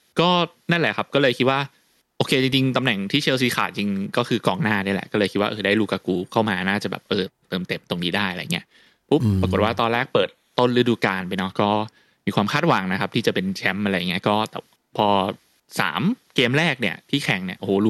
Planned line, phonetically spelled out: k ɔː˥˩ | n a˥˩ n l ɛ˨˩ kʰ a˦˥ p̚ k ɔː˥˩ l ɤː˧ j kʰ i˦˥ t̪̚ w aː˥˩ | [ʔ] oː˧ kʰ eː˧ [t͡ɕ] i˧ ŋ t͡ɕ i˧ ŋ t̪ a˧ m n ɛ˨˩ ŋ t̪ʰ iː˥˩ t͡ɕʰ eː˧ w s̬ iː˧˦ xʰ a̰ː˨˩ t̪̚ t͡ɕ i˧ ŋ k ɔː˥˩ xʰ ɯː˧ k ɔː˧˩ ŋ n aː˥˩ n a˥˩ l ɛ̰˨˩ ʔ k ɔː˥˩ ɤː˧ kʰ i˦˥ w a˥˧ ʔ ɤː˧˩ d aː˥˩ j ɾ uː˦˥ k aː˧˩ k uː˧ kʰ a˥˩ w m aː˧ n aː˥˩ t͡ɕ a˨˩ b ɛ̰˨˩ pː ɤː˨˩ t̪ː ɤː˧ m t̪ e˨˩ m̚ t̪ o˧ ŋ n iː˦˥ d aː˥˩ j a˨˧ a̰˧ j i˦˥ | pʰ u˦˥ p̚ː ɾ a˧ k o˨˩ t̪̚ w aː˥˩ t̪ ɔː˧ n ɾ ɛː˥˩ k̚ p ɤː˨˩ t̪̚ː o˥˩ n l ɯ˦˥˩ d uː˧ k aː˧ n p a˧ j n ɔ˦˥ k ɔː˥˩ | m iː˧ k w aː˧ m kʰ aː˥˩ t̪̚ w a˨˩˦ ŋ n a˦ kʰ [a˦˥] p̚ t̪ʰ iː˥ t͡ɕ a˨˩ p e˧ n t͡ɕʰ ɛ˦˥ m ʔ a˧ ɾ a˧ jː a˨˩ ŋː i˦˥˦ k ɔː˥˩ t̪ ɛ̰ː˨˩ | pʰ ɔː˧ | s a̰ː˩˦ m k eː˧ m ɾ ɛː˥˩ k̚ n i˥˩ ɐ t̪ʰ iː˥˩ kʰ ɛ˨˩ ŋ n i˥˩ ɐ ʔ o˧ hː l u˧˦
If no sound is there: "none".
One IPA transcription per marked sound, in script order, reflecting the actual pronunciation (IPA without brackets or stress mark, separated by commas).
ʔ, t͡ɕ, a˦˥